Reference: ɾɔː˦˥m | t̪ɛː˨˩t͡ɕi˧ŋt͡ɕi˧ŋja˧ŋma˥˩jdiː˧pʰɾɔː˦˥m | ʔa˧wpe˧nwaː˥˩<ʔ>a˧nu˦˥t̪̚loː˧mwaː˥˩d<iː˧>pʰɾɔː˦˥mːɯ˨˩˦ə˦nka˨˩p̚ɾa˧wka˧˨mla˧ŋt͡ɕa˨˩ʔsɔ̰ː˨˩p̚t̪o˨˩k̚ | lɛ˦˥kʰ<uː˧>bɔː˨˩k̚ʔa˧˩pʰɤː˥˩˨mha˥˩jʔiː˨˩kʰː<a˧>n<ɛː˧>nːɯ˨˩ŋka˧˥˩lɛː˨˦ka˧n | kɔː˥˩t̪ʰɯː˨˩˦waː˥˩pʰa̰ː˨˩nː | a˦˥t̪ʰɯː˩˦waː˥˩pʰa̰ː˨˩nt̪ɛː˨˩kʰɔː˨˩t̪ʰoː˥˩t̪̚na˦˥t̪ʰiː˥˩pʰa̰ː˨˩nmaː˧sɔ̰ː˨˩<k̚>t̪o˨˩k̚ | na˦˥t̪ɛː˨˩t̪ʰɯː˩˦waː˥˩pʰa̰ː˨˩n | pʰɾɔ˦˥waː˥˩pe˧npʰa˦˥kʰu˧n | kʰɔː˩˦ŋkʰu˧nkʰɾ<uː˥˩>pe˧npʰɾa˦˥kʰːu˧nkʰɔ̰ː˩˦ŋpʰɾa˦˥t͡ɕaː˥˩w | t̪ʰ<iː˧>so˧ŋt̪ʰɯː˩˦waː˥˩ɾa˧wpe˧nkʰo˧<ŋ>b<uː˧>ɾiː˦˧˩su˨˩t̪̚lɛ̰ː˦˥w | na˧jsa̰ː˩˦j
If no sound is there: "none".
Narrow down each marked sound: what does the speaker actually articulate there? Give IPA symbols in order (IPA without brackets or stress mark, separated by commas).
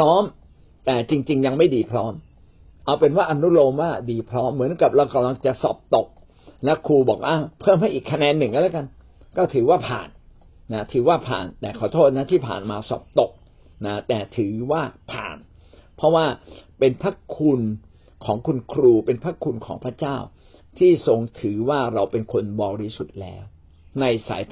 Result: ʔ, iː˧, uː˧, a˧, ɛː˧, p̚, uː˧, iː˥˩, n, ɔː˧